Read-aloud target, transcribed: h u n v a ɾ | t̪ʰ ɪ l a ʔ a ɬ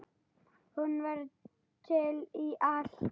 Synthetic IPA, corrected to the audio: h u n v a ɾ | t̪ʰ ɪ l i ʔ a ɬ